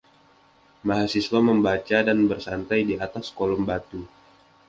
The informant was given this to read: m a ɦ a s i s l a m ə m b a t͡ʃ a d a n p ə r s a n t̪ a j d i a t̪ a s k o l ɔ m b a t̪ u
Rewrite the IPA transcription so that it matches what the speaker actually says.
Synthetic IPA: m a ɦ a s i s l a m ə m b a t͡ʃ a d a n b ə r s a n t̪ a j d i a t̪ a s k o l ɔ m b a t̪ u